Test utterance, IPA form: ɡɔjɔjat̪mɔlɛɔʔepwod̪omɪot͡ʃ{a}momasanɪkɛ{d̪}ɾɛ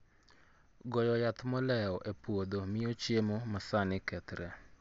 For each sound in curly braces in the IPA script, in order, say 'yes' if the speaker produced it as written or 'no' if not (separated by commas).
no, no